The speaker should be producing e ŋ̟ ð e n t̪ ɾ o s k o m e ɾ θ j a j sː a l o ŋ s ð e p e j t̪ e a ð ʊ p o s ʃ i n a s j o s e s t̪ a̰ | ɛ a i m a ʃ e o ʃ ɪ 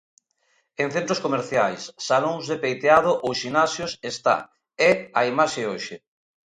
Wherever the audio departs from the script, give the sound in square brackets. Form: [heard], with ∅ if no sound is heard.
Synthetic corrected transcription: e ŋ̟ [θ] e n t̪ ɾ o s k o m e ɾ θ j a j sː a l o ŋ [z] ð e p e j t̪ e a ð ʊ [ʔ] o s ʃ i n a s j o s e s t̪ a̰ | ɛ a i m a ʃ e o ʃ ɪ